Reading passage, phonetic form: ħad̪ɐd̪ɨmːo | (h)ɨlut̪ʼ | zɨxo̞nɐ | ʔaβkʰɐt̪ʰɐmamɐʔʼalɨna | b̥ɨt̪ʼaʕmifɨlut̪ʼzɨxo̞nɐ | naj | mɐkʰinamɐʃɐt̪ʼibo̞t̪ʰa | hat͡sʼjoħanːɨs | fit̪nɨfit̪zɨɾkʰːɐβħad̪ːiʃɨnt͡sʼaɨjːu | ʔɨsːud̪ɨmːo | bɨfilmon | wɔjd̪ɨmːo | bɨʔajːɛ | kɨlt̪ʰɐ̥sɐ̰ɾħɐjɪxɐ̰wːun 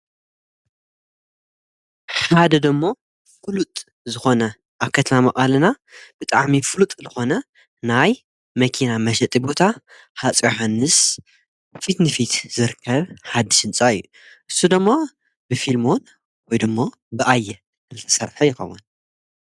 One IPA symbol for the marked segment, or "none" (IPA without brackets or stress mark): f